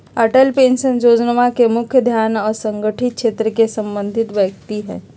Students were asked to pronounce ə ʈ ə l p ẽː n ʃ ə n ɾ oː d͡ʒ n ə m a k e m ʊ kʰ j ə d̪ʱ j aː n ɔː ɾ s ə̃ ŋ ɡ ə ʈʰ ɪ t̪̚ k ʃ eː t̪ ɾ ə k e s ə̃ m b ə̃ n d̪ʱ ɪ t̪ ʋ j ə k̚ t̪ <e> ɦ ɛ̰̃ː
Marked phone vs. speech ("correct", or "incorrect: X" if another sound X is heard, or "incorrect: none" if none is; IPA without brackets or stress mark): incorrect: i